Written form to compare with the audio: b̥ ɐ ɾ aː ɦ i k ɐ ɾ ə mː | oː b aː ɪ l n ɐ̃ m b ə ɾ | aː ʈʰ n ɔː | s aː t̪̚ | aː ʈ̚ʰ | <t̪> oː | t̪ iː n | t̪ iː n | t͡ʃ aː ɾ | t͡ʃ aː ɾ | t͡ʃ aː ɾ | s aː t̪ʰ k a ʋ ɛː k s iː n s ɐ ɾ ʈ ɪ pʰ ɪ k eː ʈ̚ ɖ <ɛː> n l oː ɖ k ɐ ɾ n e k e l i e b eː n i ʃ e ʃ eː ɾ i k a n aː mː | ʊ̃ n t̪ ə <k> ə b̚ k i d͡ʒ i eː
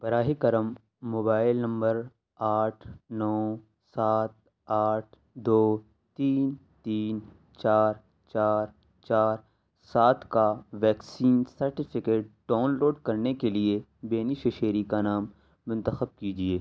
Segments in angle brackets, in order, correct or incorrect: incorrect, incorrect, incorrect

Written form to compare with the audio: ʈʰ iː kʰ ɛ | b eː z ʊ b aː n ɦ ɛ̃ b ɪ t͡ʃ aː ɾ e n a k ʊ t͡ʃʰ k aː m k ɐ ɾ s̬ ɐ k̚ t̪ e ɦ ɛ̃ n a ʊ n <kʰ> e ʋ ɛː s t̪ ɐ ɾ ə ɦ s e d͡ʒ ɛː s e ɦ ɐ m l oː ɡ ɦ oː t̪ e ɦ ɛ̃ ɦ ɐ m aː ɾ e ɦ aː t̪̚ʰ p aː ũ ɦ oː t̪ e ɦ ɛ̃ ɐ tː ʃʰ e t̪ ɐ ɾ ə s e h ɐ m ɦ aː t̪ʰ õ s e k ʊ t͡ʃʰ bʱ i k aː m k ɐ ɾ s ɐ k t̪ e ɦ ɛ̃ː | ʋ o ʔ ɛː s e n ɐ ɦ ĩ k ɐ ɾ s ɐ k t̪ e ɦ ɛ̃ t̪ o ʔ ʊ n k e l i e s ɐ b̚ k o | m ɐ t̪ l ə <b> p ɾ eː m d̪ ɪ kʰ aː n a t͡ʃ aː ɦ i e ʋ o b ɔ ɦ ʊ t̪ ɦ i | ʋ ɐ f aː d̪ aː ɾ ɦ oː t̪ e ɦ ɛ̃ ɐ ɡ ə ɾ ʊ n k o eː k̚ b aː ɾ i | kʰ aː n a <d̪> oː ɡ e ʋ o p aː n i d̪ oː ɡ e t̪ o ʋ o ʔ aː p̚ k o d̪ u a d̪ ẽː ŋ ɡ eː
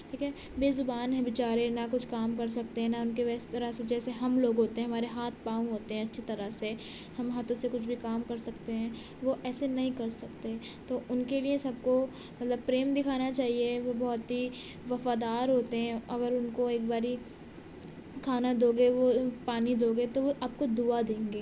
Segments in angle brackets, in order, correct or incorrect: incorrect, correct, correct

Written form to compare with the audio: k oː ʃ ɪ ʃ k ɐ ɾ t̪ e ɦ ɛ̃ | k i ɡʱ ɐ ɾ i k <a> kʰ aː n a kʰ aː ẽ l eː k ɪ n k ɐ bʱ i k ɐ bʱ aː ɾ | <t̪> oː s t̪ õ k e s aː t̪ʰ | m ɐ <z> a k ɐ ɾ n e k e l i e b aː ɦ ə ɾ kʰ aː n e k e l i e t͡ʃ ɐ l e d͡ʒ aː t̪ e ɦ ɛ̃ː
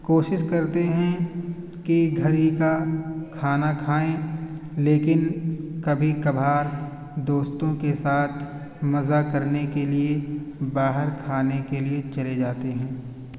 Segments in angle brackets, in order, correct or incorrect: correct, incorrect, correct

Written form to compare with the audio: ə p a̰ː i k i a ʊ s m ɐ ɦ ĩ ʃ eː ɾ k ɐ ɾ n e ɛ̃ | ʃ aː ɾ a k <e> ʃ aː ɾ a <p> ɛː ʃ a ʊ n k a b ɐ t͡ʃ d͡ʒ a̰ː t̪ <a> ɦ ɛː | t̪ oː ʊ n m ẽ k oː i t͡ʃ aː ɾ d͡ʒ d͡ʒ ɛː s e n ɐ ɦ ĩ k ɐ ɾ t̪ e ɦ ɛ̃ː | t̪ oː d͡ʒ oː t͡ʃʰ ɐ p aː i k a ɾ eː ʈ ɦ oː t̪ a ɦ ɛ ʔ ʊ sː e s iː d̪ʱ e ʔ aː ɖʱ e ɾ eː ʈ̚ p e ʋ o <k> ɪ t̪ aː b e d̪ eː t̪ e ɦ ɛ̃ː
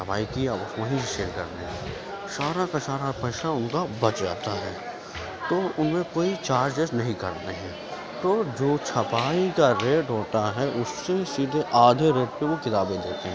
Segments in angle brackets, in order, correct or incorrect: incorrect, correct, correct, correct

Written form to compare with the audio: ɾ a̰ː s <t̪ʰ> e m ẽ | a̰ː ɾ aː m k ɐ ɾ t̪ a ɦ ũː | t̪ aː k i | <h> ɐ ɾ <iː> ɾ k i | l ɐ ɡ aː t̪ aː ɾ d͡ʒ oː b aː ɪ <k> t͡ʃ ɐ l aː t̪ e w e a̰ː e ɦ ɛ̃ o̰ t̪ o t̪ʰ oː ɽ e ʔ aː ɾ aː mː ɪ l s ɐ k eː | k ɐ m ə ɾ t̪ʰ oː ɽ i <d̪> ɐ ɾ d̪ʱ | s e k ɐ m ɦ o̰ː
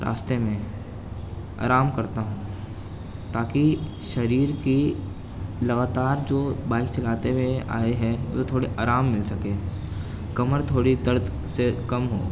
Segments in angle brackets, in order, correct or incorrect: incorrect, incorrect, correct, correct, correct

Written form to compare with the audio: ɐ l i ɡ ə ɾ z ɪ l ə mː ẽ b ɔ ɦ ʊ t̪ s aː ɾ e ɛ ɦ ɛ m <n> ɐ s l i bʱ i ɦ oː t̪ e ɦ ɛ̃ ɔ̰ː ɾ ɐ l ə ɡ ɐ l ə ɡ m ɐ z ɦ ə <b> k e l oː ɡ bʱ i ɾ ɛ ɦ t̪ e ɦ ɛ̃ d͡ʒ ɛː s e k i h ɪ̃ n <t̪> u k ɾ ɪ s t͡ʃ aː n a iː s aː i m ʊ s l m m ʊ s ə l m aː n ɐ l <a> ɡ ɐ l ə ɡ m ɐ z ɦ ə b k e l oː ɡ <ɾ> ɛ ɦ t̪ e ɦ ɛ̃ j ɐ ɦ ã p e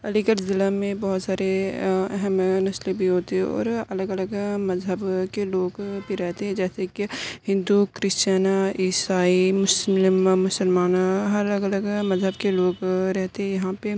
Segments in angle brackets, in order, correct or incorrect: correct, correct, incorrect, incorrect, correct

